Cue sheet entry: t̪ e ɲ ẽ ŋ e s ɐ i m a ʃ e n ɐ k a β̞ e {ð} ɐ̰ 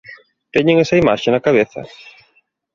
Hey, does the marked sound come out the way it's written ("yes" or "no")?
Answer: no